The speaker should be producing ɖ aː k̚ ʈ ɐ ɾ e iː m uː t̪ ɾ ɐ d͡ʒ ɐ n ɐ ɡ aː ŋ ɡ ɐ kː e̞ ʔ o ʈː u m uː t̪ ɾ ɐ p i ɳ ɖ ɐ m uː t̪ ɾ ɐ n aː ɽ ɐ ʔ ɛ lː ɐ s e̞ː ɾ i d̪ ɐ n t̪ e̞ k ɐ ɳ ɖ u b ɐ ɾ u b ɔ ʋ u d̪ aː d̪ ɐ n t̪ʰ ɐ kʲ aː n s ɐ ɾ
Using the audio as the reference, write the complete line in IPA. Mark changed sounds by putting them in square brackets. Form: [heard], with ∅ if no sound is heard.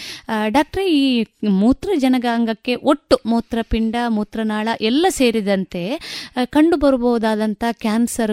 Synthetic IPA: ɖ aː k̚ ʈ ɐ ɾ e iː m uː t̪ ɾ ɐ d͡ʒ ɐ n ɐ ɡ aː ŋ ɡ ɐ kː e̞ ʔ o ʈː u m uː t̪ ɾ ɐ p i ɳ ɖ ɐ m uː t̪ ɾ ɐ n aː [ɭ] ɐ ʔ ɛ lː ɐ s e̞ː ɾ i d̪ ɐ n t̪ e̞ k ɐ ɳ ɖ u b ɐ ɾ u b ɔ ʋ u d̪ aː d̪ ɐ n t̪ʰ ɐ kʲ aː n s ɐ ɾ